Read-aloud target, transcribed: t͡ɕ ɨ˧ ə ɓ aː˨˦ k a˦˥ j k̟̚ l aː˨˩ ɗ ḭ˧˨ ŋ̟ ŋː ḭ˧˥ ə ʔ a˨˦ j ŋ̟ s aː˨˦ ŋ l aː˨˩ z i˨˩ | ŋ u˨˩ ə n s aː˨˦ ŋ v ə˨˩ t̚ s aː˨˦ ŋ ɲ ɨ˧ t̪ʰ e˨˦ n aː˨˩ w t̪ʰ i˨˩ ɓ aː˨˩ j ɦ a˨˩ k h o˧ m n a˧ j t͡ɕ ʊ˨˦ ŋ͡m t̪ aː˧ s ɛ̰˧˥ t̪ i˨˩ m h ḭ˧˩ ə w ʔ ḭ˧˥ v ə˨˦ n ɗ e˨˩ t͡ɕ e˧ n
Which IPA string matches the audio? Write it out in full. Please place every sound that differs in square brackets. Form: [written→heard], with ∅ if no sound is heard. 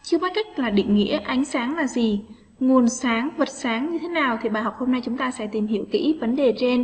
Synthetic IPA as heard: t͡ɕ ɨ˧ ə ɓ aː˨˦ k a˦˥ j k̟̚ l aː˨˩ ɗ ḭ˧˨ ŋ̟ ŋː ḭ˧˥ ə ʔ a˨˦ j ŋ̟ s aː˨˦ ŋ l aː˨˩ z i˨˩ | ŋ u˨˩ ə n s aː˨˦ ŋ v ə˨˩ t̚ s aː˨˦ ŋ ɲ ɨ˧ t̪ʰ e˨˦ n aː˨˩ w t̪ʰ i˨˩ ɓ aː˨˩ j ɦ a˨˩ [k→k͡p̚] h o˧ m n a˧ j t͡ɕ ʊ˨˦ ŋ͡m t̪ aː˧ s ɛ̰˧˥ t̪ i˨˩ m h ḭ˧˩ ə w [ʔ→k] ḭ˧˥ v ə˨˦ n ɗ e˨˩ t͡ɕ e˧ n